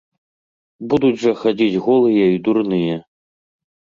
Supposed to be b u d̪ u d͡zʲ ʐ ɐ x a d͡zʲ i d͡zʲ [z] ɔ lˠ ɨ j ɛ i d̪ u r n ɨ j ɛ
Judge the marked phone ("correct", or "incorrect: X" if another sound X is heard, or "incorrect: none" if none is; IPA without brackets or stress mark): incorrect: ɣ